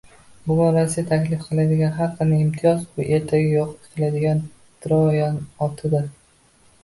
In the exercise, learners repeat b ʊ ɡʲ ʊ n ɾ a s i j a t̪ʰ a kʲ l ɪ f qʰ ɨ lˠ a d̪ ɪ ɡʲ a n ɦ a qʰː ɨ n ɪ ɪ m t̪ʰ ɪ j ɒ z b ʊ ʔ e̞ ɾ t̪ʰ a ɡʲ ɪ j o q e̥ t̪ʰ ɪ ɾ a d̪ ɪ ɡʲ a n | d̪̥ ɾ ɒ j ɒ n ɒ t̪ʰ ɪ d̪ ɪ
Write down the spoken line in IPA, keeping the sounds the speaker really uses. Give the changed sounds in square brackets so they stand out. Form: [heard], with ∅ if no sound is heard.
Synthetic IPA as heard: b ʊ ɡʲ ʊ n ɾ a s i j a t̪ʰ a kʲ l ɪ f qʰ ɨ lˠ a d̪ ɪ ɡʲ a n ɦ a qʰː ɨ n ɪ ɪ m t̪ʰ ɪ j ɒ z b ʊ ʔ e̞ ɾ t̪ʰ a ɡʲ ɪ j o q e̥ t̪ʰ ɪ [l] a d̪ ɪ ɡʲ a n | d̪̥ ɾ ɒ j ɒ n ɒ t̪ʰ ɪ d̪ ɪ